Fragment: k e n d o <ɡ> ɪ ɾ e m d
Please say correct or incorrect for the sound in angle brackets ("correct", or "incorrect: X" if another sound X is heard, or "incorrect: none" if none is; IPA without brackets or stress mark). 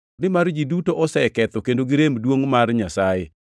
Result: correct